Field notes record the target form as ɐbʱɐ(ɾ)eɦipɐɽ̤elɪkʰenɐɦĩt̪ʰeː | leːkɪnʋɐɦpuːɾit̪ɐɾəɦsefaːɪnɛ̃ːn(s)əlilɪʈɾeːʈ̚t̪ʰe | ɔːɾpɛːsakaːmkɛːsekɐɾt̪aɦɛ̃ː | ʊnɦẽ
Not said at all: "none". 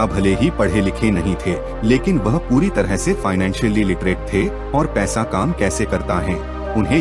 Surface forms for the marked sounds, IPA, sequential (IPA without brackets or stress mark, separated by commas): l, ʃ